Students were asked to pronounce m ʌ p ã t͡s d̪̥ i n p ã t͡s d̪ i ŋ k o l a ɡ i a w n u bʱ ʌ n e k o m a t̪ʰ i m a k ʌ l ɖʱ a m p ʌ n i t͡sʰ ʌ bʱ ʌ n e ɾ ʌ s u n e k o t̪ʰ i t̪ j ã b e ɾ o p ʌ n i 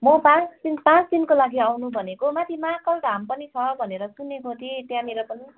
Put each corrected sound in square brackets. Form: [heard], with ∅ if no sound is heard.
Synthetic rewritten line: m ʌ p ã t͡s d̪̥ i n p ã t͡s d̪ i [n] k o l a ɡ i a w n u bʱ ʌ n e k o m a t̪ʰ i m a k ʌ l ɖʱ a m p ʌ n i t͡sʰ ʌ bʱ ʌ n e ɾ ʌ s u n e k o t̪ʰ i t̪ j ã [m] e ɾ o p ʌ n i